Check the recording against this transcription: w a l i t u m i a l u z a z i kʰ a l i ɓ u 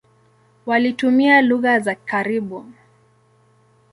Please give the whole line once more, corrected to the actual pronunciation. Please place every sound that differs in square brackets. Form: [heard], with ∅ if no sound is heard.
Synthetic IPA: w a l i t u m i a l u [ɣ] a z [a] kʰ a [ɾ] i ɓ u